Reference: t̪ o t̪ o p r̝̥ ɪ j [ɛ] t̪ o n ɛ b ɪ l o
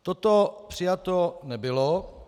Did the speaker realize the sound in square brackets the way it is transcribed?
no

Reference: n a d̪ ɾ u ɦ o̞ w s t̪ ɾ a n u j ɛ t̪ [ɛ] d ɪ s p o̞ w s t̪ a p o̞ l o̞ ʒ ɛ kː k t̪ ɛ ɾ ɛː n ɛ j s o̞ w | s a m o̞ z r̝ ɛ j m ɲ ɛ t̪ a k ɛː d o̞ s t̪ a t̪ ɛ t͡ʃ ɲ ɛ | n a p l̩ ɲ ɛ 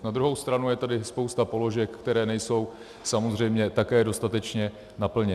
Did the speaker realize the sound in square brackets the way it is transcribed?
no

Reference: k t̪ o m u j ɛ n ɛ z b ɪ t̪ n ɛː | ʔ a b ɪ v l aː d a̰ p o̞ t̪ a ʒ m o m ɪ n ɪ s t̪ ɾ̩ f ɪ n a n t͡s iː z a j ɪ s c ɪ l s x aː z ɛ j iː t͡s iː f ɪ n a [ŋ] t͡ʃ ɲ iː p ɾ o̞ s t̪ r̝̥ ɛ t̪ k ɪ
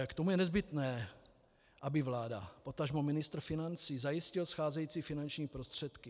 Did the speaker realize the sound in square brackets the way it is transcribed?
no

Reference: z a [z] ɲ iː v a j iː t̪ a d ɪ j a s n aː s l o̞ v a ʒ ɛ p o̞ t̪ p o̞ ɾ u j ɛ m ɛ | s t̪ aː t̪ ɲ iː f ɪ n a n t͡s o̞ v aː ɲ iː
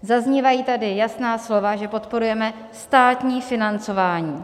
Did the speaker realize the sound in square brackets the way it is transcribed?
yes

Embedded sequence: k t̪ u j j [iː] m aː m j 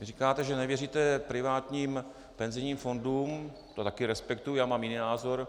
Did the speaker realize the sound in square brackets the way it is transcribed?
no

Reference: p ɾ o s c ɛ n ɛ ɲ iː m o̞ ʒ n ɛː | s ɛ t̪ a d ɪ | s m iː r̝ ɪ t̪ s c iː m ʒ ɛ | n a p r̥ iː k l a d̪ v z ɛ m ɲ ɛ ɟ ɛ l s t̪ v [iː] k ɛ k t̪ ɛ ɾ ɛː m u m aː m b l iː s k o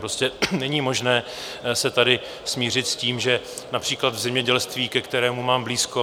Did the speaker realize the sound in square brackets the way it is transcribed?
yes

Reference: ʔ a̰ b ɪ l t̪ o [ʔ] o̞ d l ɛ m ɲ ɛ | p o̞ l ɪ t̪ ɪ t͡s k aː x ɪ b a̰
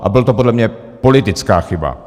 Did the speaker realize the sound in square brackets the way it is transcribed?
no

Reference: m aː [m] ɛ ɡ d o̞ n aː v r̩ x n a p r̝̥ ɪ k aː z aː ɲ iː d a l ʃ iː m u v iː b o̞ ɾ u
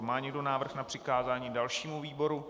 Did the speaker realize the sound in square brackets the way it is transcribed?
no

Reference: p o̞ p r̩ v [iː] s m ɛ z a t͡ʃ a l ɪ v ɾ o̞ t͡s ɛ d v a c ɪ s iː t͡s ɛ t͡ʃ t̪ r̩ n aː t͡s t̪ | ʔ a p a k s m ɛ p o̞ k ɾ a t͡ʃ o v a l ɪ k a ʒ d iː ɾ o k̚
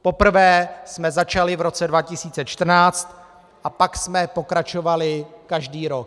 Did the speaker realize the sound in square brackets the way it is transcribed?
no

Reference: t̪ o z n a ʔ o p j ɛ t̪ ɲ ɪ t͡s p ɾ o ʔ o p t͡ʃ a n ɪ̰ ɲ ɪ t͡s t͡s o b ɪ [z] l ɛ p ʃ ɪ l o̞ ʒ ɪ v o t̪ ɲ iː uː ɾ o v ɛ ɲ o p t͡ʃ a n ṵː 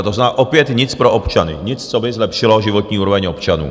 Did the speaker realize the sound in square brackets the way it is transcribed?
yes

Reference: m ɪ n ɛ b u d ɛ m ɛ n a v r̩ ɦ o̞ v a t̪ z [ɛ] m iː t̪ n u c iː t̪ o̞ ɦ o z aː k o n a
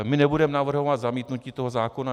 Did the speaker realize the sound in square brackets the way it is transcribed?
no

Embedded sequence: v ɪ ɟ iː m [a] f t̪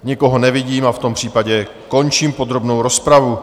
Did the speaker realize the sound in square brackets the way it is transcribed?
yes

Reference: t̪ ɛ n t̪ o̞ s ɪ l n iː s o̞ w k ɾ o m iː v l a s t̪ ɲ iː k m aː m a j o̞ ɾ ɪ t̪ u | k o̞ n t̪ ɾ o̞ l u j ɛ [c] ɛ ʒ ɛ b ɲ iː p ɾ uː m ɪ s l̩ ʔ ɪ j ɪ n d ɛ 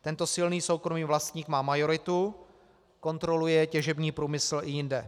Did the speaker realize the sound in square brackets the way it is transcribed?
yes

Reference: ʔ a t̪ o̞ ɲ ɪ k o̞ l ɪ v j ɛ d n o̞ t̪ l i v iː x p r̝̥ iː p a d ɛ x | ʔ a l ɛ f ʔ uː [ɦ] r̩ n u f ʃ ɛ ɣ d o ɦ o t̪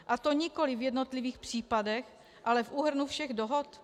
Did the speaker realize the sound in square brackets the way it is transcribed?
yes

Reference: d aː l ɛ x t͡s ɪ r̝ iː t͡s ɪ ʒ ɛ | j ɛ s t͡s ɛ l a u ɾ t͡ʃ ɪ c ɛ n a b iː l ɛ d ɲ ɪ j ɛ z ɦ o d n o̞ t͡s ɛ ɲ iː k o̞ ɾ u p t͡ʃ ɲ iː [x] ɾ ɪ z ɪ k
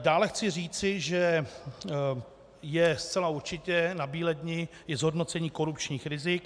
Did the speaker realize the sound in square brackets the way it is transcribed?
yes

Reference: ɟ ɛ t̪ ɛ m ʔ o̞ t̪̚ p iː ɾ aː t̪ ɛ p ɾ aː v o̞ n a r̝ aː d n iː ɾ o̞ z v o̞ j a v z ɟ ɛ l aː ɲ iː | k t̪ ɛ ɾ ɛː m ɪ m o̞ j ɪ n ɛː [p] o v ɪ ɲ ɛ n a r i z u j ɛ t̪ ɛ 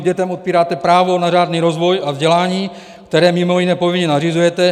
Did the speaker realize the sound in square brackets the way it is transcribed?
yes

